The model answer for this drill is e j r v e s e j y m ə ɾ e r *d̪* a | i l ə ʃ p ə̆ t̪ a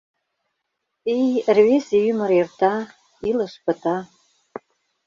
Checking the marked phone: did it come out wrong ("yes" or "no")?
yes